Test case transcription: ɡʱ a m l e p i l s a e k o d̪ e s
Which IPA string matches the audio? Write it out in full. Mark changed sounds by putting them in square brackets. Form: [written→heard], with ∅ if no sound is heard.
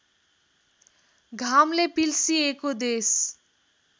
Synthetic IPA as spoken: ɡʱ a m l e p i l s [a→i] e k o d̪ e s

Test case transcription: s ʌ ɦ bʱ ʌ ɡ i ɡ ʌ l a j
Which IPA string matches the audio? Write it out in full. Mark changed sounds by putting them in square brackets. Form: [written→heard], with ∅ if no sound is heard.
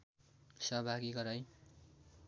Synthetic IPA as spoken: s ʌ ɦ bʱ [ʌ→a] ɡ i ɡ ʌ [l→ɾ] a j

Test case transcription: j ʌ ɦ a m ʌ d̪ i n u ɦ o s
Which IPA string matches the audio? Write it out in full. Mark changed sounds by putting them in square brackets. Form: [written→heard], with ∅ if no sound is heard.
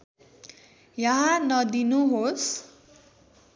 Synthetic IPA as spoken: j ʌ ɦ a [m→n] ʌ d̪ i n u ɦ o s

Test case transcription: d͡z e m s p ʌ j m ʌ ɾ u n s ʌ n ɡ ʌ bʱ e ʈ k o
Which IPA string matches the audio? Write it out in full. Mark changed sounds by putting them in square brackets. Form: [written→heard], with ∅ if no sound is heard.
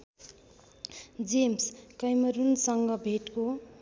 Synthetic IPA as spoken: d͡z e m s [p→k] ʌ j m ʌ ɾ u n s ʌ [n→ŋ] ɡ ʌ bʱ e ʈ k o

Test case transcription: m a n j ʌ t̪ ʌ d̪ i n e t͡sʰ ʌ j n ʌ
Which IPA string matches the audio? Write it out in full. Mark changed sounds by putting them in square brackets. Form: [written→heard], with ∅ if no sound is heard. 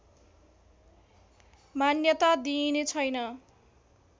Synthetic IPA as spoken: m a n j ʌ t̪ [ʌ→a] d̪ i n e t͡sʰ ʌ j n ʌ

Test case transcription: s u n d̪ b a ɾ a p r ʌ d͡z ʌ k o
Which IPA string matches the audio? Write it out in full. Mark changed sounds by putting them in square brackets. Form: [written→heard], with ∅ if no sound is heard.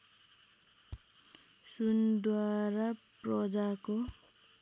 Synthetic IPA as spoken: s u n d̪ [b→w] a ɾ a p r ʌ d͡z [ʌ→a] k o

